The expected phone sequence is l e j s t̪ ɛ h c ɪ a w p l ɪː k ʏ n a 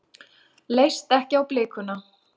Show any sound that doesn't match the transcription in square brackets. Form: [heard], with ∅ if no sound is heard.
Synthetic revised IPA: l e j s t̪ ɛ h c ɪ a w p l ɪː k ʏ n a